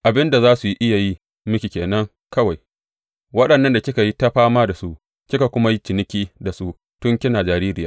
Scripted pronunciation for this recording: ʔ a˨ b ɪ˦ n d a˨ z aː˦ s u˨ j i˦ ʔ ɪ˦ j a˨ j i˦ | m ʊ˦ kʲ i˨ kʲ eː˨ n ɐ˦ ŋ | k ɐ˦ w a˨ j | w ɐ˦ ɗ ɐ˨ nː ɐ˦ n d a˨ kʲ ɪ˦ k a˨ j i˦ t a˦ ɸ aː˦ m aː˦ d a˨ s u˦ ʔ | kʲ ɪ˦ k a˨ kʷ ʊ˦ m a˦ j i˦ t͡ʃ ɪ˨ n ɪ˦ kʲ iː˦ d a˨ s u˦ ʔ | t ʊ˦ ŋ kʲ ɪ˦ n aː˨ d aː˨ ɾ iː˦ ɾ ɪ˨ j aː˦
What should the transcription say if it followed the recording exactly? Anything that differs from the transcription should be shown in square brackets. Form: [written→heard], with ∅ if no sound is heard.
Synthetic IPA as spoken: ʔ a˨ b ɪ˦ n d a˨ z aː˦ s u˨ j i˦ ʔ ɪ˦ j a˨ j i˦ | m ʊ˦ kʲ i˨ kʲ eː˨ n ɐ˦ ŋ | k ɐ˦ w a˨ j | w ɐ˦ ɗ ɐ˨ nː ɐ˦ n d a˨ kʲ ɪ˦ k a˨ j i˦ t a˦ ɸ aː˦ m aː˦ d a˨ s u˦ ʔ | kʲ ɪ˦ k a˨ kʷ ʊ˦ m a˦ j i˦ t͡ʃ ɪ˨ n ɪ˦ kʲ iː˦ d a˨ s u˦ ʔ | t ʊ˦ ŋ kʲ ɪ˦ n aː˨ [d→d͡ʒ] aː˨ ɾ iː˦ ɾ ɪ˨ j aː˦